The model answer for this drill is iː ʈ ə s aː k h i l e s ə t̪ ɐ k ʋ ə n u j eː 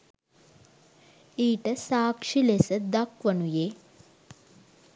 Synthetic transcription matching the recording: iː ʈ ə s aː k ʂ i l e s ə d̪ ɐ k ʋ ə n u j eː

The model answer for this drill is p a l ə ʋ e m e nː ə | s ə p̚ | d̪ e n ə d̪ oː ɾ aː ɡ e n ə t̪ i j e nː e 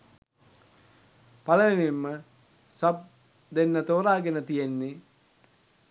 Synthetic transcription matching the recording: p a l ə ʋ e n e mː ə | s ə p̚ | d̪ e nː ə t̪ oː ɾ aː ɡ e n ə t̪ i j e nː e

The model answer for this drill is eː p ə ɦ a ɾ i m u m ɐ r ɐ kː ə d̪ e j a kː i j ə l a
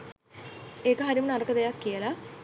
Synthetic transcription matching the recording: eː k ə ɦ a ɾ i m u n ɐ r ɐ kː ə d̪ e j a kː i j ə l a

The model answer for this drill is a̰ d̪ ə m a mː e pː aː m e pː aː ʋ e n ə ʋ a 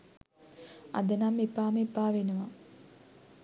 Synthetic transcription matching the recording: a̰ d̪ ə n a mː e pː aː m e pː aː ʋ e n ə ʋ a

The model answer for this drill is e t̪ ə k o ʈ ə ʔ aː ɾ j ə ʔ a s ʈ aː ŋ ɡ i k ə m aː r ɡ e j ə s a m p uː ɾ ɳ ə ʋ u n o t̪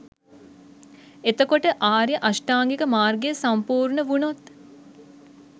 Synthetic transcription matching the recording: e t̪ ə k o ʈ ə ʔ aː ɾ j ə ʔ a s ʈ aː ŋ ɡ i k ə m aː r ɡ e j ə s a m p uː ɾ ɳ ə ʋ u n o t̪

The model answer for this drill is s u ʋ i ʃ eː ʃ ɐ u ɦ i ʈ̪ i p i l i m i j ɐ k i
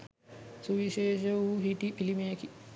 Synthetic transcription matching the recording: s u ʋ i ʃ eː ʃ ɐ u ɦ i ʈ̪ i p i l i m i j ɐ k i

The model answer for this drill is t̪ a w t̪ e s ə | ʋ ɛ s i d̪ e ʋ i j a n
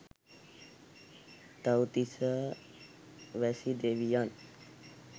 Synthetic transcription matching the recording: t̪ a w t̪ i s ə | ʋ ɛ s i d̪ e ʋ i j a n

